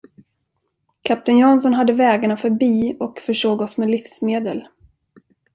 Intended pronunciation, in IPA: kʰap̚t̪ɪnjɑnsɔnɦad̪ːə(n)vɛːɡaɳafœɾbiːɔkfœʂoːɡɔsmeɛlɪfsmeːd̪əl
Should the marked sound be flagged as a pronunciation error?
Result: yes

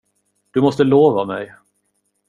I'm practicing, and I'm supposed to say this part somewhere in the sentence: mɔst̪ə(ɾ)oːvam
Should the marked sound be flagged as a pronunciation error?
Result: yes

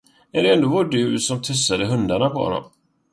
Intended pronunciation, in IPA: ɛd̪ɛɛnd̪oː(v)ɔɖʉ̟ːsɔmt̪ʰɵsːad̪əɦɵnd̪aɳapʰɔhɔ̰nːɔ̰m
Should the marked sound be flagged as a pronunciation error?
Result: no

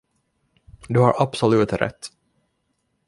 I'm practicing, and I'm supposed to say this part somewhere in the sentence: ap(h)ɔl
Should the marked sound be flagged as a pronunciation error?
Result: yes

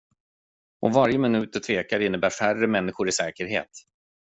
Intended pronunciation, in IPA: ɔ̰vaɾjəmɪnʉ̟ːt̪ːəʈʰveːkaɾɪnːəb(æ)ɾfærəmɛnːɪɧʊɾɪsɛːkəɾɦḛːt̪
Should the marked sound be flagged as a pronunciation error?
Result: yes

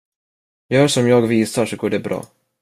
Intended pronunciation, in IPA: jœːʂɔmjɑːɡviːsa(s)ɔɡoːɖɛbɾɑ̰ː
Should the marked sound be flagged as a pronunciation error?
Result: yes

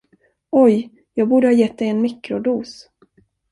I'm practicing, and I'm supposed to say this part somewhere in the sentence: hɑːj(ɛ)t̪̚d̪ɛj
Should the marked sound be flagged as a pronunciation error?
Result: no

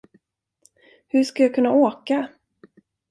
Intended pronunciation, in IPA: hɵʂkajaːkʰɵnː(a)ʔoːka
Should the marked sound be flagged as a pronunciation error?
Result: no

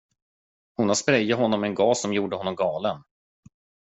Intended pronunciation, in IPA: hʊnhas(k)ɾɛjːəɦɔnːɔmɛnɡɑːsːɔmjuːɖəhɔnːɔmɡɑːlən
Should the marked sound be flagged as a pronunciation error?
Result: yes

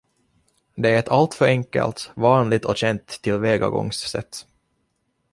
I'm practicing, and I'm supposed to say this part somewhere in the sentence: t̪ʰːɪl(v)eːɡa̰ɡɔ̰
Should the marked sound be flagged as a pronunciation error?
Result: no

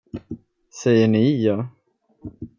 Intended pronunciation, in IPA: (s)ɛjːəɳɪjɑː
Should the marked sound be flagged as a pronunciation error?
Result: no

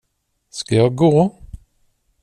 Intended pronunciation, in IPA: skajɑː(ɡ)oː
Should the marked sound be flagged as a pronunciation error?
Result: no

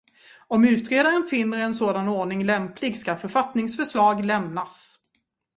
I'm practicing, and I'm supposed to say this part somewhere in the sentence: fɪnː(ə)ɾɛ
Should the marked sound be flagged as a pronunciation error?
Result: no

